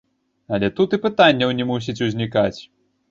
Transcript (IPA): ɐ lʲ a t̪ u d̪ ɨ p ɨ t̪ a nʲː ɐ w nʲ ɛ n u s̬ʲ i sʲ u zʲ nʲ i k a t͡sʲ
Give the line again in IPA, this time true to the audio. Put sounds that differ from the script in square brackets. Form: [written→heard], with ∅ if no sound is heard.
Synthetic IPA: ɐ lʲ [a→ɛ] t̪ u [d̪→t̪] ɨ p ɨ t̪ a nʲː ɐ w nʲ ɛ [n→m] u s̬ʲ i [sʲ→t͡sʲ] u zʲ nʲ i k a t͡sʲ